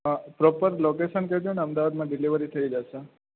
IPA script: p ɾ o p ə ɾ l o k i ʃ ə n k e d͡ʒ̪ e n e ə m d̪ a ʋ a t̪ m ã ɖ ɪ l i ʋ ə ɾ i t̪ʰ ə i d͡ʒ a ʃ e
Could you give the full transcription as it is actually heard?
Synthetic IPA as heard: p ɾ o p ə ɾ l o k e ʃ ə n k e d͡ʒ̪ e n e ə m d̪ a ʋ a d̪ m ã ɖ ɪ l i ʋ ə ɾ i t̪ʰ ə i d͡ʒ a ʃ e